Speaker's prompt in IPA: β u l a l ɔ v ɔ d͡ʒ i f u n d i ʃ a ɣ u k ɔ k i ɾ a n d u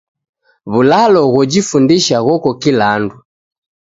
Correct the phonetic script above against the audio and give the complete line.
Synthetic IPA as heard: β u l a l ɔ ɣ ɔ d͡ʒ i f u n d i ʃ a ɣ ɔ k ɔ k i l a n d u